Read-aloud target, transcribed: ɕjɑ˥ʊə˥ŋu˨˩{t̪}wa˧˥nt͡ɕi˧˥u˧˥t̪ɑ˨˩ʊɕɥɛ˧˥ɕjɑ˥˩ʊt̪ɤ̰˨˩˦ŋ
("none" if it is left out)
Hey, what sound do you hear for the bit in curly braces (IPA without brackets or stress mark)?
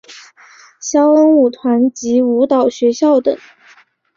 t̪ʰ